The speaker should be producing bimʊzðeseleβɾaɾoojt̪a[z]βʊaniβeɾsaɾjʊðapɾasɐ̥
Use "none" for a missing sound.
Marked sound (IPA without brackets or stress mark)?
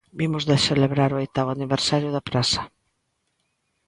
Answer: none